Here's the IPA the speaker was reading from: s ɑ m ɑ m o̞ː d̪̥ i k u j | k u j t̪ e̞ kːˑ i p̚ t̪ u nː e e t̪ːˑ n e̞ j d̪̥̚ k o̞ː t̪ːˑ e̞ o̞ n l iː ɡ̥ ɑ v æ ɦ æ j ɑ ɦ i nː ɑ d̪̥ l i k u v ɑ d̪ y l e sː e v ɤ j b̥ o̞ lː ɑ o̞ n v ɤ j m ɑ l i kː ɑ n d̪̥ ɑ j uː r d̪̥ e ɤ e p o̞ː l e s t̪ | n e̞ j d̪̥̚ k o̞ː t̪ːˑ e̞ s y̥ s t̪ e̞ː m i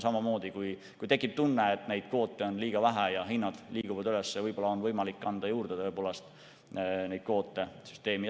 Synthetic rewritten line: s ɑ m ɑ m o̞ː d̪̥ i k u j | k u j t̪ e̞ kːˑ i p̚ t̪ u nː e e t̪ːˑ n e̞ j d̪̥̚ k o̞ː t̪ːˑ e̞ o̞ n l iː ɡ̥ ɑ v æ ɦ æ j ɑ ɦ i nː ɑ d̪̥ l iː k u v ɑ d̪ y l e sː e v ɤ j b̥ o̞ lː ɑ o̞ n v ɤ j m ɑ l i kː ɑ n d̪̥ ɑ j uː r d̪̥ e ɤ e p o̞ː l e s t̪ | n e̞ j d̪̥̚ k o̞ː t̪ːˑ e̞ s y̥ s t̪ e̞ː m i